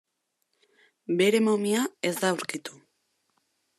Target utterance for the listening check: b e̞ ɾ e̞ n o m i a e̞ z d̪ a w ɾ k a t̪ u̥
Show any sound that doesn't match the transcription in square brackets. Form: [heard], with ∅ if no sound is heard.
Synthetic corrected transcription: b e̞ ɾ e̞ [m] o m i a e̞ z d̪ a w ɾ k [i] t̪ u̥